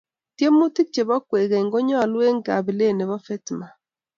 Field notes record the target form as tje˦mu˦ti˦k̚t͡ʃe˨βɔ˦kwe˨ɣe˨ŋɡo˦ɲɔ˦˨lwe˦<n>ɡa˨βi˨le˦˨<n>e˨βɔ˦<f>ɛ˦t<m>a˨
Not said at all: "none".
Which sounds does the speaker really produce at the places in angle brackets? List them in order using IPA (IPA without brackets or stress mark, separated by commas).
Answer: ŋ, n, f, m